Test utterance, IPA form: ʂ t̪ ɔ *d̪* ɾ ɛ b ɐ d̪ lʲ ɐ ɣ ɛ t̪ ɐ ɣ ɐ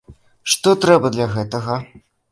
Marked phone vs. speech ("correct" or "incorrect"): incorrect